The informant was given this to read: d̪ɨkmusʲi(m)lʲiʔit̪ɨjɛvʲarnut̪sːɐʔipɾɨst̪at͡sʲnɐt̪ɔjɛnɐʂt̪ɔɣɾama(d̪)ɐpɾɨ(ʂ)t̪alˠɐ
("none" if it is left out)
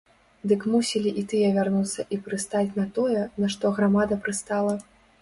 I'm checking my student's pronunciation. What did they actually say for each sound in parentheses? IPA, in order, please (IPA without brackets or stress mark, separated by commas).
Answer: none, d̪, s